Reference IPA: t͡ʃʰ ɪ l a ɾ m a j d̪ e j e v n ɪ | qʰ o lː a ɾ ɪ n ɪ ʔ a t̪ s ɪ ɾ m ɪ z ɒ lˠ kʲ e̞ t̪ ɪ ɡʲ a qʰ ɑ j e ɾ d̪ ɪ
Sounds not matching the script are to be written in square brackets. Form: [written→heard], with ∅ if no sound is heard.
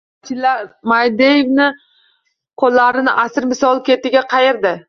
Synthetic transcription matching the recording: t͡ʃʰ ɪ l a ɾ m a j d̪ e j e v n ɪ | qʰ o lː a ɾ ɪ n ɪ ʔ a [t̪→∅] s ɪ ɾ m ɪ [z→s] ɒ lˠ kʲ e̞ t̪ ɪ ɡʲ a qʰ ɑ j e ɾ d̪ ɪ